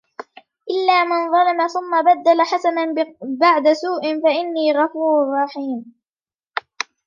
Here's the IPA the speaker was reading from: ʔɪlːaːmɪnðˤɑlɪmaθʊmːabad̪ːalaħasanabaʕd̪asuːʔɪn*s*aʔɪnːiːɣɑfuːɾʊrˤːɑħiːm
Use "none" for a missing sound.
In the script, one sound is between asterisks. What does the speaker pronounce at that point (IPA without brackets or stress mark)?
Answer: f